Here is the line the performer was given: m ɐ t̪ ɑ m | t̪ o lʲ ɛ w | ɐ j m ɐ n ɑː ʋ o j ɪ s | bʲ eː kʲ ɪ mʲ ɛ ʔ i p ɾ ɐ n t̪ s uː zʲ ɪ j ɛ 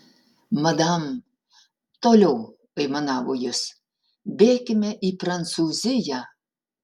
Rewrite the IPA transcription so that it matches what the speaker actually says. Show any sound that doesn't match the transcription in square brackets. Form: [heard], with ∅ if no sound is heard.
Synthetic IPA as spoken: m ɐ [d̪] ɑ m | t̪ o lʲ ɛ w | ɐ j m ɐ n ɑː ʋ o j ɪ s | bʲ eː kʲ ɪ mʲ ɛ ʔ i p ɾ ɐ n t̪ s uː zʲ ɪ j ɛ